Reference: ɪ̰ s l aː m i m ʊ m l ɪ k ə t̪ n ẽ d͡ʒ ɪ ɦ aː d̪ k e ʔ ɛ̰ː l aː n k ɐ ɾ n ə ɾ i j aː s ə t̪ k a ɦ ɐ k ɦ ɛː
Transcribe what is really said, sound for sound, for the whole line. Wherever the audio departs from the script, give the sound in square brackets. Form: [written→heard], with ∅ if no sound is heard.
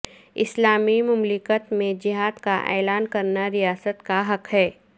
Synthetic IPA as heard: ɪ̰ s l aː m i m ʊ m l ɪ k ə t̪ [n→m] ẽ d͡ʒ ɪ ɦ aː d̪ k [e→a] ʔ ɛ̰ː l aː n k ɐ ɾ n [ə→a] ɾ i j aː s ə t̪ k a ɦ ɐ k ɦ ɛː